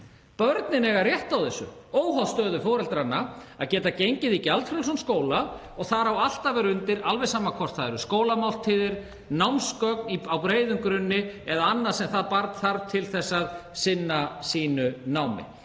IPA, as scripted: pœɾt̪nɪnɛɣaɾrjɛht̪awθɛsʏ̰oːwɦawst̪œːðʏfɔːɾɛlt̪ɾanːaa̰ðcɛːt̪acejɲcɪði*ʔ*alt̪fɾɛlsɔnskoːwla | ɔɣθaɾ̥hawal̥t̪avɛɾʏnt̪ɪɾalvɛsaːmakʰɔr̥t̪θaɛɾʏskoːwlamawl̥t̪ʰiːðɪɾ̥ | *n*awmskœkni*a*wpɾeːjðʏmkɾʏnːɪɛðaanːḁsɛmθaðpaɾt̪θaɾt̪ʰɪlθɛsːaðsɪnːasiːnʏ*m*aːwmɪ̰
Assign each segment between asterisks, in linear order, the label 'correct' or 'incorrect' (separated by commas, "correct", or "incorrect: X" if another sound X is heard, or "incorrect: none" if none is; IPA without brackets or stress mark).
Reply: incorrect: c, correct, correct, incorrect: n